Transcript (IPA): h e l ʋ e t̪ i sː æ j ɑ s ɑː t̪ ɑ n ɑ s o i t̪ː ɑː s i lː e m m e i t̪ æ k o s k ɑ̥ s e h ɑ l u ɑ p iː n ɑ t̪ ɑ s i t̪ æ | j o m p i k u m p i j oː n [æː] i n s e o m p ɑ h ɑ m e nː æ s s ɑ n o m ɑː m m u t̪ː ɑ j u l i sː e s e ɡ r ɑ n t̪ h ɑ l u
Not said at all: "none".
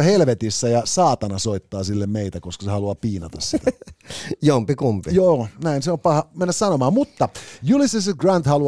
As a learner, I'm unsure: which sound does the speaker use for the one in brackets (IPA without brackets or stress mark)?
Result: æ